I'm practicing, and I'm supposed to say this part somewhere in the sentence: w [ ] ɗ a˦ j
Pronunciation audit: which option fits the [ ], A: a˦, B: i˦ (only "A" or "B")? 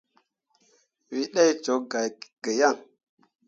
B